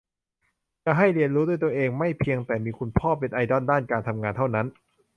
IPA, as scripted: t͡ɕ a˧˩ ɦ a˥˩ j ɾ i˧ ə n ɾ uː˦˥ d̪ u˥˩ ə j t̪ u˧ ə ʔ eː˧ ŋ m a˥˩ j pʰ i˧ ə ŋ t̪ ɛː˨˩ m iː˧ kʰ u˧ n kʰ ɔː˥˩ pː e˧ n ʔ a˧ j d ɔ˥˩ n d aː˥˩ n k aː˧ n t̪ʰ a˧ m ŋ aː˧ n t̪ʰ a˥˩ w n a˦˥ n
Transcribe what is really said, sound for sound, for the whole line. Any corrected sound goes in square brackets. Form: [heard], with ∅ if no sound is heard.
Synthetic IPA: t͡ɕ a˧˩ ɦ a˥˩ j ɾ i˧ ə n ɾ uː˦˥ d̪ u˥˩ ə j t̪ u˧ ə ʔ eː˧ ŋ m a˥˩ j pʰ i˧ ə ŋ t̪ ɛː˨˩ m iː˧ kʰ u˧ n [pʰ] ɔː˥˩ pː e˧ n ʔ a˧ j d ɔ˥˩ n d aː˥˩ n k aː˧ n t̪ʰ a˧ m ŋ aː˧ n t̪ʰ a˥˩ w n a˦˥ n